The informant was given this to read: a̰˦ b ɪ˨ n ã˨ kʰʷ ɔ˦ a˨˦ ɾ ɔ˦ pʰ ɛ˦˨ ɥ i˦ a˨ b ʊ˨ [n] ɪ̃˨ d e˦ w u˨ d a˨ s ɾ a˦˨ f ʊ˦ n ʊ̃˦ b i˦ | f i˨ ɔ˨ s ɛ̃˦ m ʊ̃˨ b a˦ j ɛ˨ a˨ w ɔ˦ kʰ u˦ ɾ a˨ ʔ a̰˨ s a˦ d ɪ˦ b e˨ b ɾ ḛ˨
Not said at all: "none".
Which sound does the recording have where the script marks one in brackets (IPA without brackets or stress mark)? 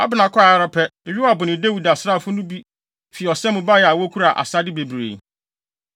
n